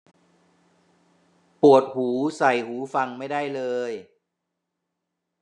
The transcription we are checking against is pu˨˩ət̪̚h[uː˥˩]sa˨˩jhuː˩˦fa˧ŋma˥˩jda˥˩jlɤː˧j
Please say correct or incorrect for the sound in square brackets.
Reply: incorrect